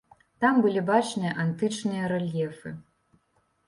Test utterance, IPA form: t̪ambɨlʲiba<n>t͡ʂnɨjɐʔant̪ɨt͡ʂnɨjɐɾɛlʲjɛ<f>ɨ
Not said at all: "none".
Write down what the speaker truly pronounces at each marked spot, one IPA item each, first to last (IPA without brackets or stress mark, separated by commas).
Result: none, f